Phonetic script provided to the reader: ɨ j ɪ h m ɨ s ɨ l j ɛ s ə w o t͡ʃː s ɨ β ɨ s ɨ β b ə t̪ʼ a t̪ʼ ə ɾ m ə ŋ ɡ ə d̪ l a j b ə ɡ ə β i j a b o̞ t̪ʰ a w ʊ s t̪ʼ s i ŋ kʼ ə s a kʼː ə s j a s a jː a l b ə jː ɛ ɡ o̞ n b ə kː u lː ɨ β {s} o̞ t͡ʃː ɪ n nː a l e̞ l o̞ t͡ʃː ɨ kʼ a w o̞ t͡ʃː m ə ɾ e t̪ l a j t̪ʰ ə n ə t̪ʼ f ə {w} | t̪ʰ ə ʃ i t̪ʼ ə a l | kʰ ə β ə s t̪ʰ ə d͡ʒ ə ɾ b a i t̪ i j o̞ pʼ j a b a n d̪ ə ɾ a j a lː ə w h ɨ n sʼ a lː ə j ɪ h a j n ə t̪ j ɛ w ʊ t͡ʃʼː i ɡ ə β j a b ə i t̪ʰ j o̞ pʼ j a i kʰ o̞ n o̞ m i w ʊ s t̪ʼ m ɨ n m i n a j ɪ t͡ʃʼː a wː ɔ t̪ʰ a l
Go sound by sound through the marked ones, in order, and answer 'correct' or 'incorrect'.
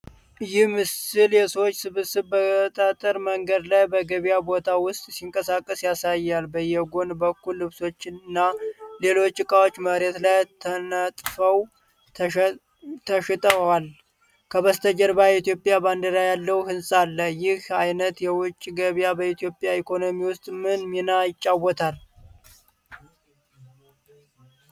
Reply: correct, correct

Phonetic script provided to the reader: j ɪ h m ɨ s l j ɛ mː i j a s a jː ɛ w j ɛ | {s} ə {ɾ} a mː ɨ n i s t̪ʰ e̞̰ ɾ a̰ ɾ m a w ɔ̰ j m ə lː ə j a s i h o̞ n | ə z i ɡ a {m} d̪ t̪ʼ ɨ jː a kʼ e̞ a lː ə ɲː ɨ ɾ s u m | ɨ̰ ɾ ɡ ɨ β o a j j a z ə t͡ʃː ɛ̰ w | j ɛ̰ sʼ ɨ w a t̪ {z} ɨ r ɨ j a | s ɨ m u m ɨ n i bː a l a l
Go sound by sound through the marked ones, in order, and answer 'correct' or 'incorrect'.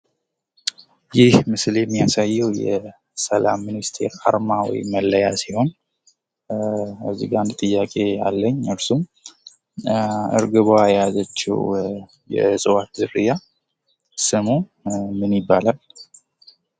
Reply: correct, incorrect: l, incorrect: n, correct

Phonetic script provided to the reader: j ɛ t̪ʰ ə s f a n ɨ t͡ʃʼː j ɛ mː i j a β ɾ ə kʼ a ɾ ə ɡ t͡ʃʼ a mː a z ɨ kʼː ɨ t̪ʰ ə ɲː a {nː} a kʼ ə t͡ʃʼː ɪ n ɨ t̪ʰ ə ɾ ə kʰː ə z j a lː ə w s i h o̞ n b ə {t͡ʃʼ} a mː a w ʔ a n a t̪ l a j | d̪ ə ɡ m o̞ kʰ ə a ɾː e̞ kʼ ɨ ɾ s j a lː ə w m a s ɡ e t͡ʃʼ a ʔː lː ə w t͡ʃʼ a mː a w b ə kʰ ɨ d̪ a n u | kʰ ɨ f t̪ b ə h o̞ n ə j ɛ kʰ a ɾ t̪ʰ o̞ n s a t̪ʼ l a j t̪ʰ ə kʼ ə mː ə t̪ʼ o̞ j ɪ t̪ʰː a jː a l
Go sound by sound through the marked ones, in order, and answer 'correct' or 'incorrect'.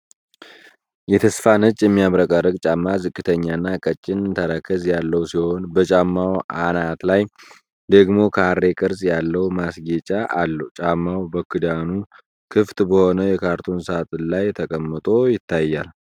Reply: correct, correct

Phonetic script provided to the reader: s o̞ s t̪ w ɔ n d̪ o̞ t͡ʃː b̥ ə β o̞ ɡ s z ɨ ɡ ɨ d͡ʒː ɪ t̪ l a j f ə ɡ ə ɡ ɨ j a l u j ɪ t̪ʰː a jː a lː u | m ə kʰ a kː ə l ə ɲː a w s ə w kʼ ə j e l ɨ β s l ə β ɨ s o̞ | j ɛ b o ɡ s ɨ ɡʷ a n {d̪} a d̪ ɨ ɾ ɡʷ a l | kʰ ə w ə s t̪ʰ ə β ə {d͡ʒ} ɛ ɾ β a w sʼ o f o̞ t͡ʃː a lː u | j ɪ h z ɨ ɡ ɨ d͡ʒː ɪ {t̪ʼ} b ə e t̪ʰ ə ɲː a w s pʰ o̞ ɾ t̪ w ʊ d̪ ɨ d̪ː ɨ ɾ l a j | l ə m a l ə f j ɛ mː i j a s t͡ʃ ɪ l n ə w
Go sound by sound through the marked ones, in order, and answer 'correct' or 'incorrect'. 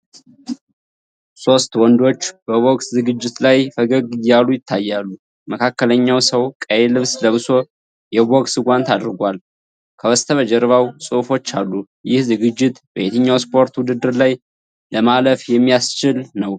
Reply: incorrect: t̪, correct, incorrect: t̪

